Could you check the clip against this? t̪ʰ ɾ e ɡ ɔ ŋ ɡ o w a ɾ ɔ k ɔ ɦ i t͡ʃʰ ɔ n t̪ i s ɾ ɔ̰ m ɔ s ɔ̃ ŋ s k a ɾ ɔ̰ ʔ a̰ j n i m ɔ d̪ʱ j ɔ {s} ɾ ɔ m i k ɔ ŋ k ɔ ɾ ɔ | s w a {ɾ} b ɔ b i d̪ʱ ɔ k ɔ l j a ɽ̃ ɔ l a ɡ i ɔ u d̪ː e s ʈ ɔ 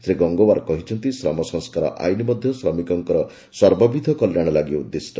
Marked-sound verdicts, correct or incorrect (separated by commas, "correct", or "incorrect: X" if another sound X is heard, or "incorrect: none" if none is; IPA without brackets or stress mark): correct, correct